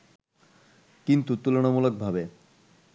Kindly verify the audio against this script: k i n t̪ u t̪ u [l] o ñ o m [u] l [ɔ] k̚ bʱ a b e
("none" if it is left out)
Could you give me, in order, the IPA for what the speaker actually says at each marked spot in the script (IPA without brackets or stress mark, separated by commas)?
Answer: l, u, o